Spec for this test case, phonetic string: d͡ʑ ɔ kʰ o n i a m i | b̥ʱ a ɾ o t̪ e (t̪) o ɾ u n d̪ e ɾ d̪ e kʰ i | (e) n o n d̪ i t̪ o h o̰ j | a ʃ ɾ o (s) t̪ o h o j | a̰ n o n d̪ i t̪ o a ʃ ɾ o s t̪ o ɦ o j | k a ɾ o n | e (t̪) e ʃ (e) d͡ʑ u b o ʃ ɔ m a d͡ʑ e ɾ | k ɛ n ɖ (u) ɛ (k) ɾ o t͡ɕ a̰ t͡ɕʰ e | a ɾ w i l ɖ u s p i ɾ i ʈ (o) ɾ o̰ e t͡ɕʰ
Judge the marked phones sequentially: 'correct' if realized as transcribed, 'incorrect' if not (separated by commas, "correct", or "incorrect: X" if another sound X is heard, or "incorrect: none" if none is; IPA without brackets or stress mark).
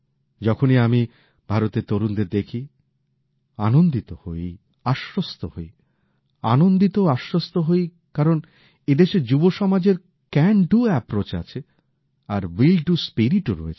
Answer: correct, incorrect: a, correct, incorrect: d̪, correct, correct, incorrect: p, correct